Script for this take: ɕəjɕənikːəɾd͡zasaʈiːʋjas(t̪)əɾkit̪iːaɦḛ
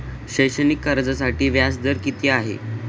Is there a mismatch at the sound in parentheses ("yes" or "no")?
yes